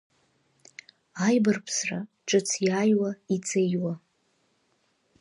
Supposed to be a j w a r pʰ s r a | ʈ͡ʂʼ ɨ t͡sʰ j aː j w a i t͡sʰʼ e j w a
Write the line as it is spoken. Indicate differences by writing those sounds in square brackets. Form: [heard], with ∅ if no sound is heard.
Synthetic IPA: a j [b] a r pʰ s r a | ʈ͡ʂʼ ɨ t͡sʰ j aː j w a i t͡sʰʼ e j w a